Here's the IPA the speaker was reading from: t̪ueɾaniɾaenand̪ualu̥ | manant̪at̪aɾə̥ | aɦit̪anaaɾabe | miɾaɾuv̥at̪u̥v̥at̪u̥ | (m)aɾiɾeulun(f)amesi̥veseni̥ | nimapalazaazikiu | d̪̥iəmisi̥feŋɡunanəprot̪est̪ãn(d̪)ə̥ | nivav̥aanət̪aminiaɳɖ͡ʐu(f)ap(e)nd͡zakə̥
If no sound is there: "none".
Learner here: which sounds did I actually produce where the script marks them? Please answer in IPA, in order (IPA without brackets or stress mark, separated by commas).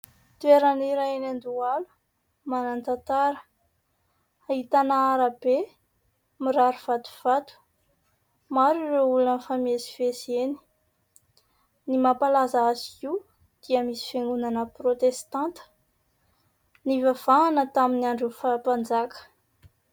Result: m, f, t̪, f, a